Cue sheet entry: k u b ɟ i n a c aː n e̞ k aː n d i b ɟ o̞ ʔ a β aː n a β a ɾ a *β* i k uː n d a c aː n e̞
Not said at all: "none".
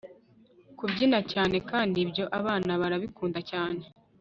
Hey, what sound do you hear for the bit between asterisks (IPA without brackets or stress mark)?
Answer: β